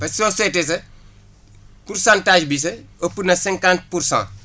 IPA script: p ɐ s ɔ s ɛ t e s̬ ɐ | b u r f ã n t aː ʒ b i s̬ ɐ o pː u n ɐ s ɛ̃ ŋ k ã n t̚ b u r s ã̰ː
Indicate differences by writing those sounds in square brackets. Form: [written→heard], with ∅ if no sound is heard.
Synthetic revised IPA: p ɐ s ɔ s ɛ t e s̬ ɐ | [b→p] u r [f→s] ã n t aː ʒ b i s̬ ɐ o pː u n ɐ s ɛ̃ ŋ k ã n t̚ [b→p] u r s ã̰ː